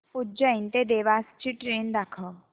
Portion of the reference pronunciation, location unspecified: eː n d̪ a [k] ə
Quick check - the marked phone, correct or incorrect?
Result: incorrect